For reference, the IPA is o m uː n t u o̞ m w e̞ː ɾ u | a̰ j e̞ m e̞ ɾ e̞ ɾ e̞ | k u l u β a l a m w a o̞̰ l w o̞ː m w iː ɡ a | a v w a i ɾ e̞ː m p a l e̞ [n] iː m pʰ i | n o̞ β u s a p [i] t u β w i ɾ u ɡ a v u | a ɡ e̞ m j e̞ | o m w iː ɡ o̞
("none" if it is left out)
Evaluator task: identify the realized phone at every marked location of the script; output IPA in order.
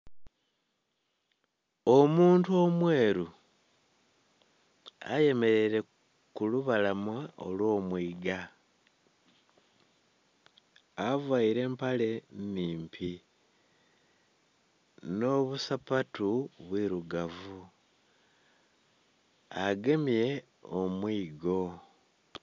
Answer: n, a

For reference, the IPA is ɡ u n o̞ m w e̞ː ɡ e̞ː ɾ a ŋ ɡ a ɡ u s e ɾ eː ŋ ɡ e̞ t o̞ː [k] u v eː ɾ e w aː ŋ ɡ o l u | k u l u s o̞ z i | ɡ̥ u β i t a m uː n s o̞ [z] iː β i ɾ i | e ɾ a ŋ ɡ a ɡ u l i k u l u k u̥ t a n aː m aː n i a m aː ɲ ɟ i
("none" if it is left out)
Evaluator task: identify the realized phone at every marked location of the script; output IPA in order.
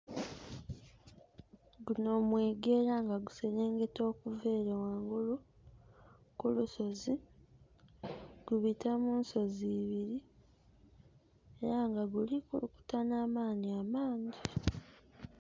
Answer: k, z

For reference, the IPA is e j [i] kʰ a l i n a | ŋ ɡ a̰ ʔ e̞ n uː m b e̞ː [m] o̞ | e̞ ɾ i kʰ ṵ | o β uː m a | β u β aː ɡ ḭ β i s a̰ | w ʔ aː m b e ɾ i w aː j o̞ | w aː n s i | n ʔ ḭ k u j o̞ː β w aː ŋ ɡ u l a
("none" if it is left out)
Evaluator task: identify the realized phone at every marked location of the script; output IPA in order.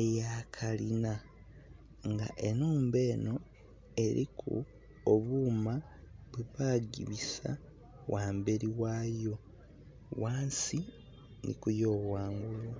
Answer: a, n

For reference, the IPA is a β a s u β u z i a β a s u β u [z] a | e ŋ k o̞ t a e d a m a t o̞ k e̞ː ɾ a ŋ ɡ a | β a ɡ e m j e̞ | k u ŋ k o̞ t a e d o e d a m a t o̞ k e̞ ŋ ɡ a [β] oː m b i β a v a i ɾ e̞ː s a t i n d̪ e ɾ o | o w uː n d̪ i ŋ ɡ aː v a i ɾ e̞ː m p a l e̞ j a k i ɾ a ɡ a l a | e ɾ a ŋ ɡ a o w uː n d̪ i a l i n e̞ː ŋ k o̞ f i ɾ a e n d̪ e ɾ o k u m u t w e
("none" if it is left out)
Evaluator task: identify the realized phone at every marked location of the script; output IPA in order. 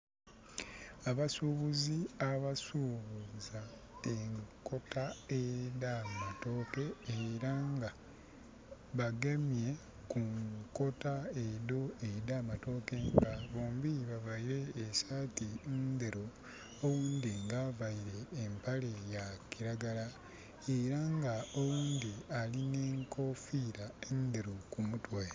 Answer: z, β

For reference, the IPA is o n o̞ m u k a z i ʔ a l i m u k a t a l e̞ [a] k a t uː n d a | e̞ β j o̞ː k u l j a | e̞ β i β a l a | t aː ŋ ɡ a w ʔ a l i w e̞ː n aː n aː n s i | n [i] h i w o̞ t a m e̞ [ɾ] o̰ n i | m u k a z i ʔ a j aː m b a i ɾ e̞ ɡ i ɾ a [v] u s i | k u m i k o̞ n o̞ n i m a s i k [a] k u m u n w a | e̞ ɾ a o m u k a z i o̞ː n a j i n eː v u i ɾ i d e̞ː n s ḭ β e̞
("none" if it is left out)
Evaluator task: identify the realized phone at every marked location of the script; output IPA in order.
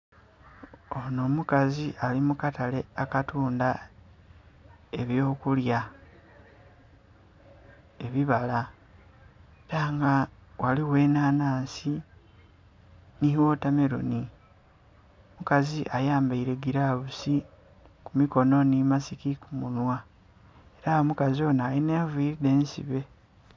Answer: a, i, ɾ, β, i

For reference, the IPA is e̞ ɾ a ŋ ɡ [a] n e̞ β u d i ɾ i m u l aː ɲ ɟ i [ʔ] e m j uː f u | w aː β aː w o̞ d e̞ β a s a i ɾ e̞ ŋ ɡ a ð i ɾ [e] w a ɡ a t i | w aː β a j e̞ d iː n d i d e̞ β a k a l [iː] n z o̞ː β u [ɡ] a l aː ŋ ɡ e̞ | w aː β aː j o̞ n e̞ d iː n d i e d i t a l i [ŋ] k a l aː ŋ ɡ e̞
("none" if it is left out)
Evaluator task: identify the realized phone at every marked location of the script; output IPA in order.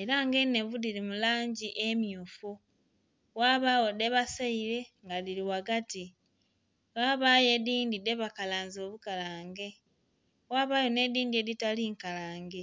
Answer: e, ʔ, i, aː, k, ŋ

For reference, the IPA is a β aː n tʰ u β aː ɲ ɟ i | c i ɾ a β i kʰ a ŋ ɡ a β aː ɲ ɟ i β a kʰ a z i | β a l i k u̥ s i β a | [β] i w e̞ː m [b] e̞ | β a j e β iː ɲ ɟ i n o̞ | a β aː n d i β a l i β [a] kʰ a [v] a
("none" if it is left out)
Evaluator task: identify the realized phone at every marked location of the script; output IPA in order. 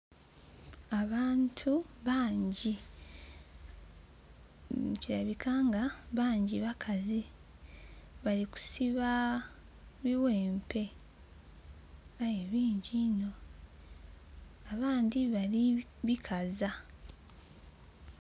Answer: β, p, i, z

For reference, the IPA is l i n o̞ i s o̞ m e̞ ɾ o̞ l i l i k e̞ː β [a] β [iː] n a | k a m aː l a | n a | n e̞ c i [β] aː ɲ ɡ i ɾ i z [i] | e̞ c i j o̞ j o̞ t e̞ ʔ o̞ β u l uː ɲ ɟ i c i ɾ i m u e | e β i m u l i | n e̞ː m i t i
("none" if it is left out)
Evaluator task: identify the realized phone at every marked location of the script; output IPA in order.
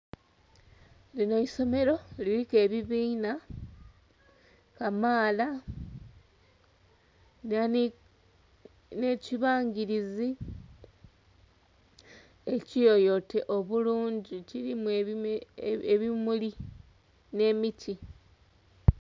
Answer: i, iː, β, i

